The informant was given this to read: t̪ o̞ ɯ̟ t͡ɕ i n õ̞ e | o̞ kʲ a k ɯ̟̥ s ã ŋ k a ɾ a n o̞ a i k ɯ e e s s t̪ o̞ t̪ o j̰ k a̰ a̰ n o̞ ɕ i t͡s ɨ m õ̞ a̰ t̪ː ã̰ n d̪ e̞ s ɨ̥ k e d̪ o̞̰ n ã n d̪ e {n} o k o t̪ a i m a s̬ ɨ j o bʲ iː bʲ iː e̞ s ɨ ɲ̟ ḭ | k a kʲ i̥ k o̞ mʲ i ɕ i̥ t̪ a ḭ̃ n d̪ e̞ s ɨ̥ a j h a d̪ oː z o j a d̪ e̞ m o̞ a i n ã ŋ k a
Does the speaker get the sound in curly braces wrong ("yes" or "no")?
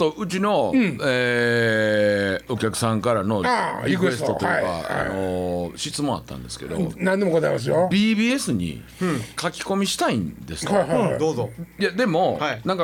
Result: yes